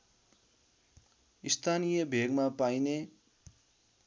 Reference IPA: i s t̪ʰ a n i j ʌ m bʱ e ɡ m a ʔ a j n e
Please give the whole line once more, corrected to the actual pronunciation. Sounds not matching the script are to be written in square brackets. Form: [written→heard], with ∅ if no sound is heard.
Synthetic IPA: i s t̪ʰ a n i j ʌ [m→∅] bʱ e ɡ m a [ʔ→p] a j n e